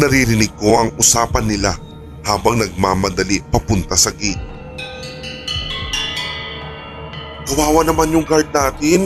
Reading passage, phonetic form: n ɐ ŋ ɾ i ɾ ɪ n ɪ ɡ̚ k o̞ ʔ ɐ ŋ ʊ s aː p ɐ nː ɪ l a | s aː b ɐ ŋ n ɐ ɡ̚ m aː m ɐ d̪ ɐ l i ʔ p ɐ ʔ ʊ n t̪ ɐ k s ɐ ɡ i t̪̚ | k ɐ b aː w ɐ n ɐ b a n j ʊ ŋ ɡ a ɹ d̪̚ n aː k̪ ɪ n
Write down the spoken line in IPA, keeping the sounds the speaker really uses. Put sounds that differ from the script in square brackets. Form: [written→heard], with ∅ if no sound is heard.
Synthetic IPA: n ɐ [ŋ→∅] ɾ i ɾ ɪ n ɪ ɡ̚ k o̞ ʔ ɐ ŋ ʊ s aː p ɐ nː ɪ l a | [s→h] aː b ɐ ŋ n ɐ ɡ̚ m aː m ɐ d̪ ɐ l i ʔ p ɐ [ʔ→p] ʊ n t̪ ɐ [k→∅] s ɐ ɡ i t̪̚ | k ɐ [b→w] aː w ɐ n ɐ [b→m] a n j ʊ ŋ ɡ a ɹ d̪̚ n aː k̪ ɪ n